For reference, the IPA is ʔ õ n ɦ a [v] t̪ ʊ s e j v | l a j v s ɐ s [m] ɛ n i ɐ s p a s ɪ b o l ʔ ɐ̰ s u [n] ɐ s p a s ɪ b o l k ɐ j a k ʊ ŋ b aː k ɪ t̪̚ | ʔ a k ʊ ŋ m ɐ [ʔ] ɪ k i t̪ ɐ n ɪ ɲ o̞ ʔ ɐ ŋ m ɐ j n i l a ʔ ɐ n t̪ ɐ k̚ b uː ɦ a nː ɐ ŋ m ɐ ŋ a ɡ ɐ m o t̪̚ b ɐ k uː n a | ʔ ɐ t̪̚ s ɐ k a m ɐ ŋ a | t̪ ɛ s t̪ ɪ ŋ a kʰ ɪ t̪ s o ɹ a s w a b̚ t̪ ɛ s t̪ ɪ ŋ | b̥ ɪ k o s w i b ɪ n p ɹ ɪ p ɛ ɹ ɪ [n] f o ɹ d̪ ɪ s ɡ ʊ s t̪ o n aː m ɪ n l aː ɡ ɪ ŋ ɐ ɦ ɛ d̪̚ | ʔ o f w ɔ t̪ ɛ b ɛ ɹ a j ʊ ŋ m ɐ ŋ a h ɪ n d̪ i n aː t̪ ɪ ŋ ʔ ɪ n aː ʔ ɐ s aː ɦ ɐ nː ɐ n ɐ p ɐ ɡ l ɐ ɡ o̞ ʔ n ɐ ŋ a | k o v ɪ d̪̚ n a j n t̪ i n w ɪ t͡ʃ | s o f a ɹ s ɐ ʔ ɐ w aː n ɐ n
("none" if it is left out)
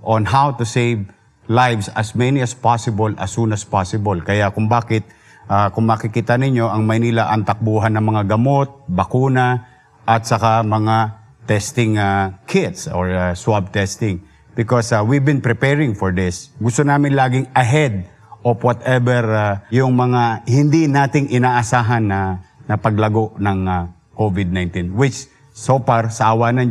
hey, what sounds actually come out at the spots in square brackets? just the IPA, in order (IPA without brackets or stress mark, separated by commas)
w, m, n, k, ŋ